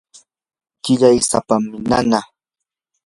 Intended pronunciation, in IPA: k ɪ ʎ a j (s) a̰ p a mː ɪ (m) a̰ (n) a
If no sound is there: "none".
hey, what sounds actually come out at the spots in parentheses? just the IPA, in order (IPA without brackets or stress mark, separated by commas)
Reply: s, n, n